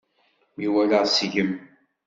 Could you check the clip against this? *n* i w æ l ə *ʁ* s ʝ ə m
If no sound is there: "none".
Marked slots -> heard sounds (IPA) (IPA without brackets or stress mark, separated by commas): m, ʁ